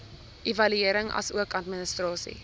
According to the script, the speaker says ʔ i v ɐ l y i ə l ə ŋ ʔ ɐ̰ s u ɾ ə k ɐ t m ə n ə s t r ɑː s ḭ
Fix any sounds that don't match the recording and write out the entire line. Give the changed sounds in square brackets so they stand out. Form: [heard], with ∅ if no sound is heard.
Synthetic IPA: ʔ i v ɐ l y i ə [ɾ] ə ŋ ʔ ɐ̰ s u [∅] ə k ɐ t m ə n ə s t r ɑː s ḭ